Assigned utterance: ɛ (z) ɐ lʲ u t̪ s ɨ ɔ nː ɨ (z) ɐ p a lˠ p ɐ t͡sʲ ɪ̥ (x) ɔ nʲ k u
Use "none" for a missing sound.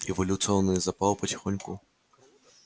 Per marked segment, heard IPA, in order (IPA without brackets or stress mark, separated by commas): v, z, x